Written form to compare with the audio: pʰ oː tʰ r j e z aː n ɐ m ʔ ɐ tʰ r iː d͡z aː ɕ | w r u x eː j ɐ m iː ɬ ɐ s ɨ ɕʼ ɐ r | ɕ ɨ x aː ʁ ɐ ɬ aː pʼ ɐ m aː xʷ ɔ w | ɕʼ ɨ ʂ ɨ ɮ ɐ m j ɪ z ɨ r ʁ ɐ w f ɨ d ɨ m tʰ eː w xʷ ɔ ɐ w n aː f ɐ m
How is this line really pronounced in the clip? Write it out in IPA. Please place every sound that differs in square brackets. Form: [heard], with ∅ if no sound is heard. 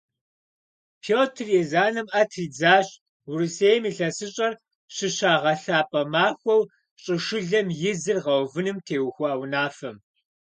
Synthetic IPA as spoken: pʰ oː tʰ r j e z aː n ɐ m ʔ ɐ tʰ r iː d͡z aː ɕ | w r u [s] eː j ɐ m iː ɬ ɐ s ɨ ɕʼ ɐ r | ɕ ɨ [ɕ] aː ʁ ɐ ɬ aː pʼ ɐ m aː xʷ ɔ w | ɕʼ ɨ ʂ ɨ ɮ ɐ m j ɪ z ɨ r ʁ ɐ w [v] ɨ [n] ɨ m tʰ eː w xʷ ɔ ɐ w n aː f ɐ m